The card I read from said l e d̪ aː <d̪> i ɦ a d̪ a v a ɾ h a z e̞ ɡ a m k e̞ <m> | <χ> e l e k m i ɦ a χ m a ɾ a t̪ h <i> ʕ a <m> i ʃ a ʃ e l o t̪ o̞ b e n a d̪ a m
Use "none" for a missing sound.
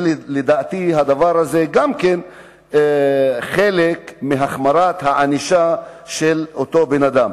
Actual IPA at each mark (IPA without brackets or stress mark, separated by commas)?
t̪, n, χ, a, n